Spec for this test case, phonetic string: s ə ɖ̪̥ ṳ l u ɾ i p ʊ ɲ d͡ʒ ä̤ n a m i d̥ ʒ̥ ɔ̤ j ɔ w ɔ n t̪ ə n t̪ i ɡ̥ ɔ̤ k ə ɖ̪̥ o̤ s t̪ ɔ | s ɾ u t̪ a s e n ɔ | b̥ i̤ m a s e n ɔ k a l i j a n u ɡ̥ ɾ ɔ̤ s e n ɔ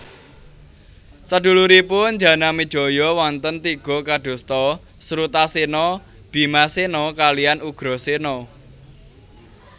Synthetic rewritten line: s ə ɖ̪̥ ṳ l u ɾ i p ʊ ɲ d͡ʒ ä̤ n a m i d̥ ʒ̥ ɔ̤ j ɔ w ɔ n t̪ ə n t̪ i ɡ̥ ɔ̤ k a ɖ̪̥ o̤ s t̪ ɔ | s ɾ u t̪ a s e n ɔ | b̥ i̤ m a s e n ɔ k a l i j a n u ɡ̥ ɾ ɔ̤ s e n ɔ